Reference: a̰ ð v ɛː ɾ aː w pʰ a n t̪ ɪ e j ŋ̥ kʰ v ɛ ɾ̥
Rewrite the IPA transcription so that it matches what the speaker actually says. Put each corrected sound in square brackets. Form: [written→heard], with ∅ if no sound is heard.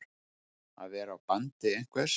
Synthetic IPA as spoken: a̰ ð v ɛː ɾ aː w [pʰ→p] a n t̪ ɪ e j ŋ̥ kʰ v ɛ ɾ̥